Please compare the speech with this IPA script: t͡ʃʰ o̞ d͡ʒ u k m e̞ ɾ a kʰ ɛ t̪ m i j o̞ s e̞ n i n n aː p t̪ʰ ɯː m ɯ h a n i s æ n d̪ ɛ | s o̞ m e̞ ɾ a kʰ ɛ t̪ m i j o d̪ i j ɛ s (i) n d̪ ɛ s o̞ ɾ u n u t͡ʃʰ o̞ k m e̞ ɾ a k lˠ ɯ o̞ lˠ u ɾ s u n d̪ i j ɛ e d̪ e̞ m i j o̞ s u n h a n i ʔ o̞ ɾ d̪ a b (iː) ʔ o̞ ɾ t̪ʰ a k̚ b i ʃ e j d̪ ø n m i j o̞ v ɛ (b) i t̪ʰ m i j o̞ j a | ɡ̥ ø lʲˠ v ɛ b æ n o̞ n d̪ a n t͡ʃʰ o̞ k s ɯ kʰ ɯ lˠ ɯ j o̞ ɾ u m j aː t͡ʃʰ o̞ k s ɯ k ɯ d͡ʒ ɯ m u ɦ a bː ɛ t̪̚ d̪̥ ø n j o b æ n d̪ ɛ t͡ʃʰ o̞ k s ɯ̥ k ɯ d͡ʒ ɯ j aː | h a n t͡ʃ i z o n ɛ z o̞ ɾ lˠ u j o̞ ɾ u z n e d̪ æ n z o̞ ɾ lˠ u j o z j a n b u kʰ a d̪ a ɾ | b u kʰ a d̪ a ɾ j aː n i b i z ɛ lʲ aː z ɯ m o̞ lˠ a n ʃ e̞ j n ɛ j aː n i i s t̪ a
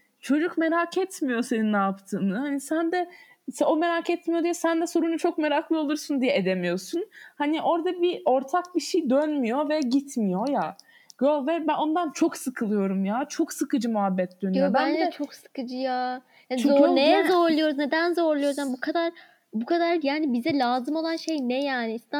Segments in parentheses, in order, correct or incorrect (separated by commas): incorrect, incorrect, incorrect